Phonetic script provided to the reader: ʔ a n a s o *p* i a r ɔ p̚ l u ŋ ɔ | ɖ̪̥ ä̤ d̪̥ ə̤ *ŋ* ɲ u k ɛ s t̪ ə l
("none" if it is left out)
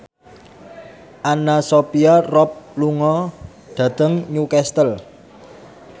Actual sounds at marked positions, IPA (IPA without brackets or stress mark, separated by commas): p, ŋ